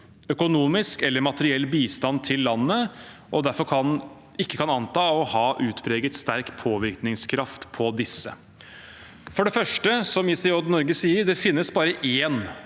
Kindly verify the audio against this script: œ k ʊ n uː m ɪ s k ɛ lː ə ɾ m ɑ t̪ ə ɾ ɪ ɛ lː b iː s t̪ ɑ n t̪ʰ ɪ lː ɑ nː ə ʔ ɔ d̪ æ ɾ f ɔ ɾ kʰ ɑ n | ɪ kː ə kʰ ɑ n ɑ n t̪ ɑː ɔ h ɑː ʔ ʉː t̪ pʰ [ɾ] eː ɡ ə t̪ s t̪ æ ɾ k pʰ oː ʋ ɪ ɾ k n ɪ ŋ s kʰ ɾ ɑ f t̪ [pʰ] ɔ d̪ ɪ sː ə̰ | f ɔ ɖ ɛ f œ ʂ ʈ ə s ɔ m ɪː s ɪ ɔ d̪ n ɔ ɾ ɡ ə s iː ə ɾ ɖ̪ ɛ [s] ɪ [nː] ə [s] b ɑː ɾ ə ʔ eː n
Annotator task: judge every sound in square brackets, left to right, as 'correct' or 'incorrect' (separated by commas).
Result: correct, correct, incorrect, correct, correct